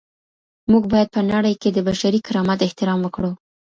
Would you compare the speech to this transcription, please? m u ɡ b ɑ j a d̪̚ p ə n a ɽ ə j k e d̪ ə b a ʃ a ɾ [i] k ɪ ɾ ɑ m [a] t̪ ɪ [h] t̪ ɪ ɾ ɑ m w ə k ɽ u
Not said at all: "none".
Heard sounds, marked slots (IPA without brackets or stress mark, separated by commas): i, a, h